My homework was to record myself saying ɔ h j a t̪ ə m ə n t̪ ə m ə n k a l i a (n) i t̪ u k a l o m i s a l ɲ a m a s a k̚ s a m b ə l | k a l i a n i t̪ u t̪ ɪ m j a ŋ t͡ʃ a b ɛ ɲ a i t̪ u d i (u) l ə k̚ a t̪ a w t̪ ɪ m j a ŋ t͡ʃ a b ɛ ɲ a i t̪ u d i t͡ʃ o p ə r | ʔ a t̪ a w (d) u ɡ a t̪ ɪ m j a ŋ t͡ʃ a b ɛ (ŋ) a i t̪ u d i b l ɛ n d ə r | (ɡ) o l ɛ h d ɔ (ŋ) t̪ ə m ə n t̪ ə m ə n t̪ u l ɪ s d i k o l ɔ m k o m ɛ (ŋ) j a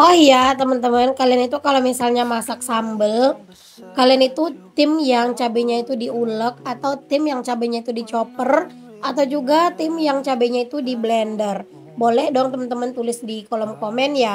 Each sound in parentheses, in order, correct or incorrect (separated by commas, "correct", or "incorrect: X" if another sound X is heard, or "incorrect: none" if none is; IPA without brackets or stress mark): correct, correct, incorrect: d͡ʒ, incorrect: ɲ, incorrect: b, correct, incorrect: n